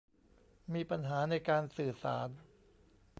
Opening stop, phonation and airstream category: plain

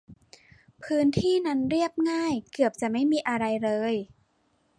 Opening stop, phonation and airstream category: aspirated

